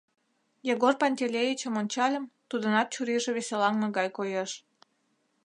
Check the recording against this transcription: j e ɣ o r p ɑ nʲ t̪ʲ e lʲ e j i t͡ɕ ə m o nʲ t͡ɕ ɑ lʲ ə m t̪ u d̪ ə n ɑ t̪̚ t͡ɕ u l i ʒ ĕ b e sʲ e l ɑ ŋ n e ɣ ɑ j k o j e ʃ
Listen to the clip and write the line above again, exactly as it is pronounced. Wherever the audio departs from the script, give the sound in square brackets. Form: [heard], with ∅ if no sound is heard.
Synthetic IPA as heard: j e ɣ o r p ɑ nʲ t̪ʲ e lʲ e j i t͡ɕ ə m o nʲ t͡ɕ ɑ lʲ ə m t̪ u d̪ ə n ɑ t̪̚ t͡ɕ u [ɾ] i ʒ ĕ [β] e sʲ e l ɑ ŋ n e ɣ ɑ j k o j e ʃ